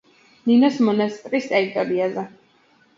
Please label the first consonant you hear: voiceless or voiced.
voiced